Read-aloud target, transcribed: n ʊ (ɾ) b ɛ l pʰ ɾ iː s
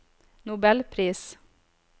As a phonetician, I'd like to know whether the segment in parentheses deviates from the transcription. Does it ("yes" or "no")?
yes